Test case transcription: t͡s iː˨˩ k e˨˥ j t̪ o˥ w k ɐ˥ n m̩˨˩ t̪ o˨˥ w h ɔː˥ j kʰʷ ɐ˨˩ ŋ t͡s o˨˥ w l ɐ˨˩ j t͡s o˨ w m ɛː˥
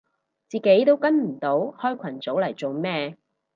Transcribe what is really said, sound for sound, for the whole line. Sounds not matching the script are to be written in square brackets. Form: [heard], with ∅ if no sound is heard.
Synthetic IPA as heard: t͡s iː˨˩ k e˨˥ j t̪ o˥ w k ɐ˥ n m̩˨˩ t̪ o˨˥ w h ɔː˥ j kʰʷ ɐ˨˩ [n] t͡s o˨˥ w l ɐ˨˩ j t͡s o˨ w m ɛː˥